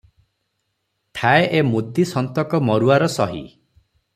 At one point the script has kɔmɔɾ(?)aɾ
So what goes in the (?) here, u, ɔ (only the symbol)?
u